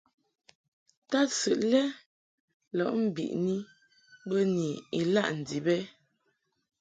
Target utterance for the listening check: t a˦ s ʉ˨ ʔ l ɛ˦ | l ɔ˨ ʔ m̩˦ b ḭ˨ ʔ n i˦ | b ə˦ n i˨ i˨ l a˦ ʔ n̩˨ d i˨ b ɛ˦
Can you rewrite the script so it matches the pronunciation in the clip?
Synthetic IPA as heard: t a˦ s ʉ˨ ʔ l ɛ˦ | l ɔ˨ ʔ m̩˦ b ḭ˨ ʔ n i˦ | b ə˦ n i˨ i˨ l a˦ ʔ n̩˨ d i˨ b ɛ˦